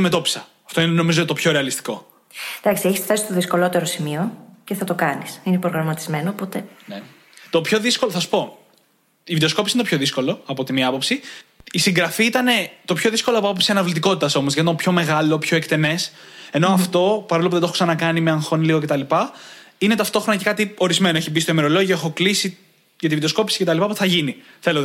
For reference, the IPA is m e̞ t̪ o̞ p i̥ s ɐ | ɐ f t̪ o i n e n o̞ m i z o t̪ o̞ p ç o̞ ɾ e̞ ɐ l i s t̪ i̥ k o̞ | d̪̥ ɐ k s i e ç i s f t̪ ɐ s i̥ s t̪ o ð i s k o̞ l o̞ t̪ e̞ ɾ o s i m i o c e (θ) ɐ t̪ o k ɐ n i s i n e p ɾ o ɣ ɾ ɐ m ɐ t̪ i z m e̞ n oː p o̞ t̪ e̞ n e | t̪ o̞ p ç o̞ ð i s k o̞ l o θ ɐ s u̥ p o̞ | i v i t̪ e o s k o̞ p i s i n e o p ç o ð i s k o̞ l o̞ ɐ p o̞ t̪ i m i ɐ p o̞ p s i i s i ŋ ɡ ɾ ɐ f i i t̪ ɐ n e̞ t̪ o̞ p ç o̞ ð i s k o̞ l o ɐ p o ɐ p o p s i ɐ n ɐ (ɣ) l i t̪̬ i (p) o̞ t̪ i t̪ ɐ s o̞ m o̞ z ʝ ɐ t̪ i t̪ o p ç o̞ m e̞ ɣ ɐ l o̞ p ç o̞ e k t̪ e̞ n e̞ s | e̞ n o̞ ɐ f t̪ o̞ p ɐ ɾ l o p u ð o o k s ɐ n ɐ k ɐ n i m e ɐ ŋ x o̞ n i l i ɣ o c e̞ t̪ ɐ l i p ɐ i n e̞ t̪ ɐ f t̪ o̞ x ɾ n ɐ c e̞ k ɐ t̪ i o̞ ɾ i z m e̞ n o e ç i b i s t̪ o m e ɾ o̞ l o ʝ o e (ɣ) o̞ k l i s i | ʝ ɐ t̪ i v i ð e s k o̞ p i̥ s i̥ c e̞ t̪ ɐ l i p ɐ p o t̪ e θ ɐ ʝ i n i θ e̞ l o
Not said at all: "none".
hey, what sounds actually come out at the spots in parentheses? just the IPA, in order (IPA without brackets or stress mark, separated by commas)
θ, v, k, x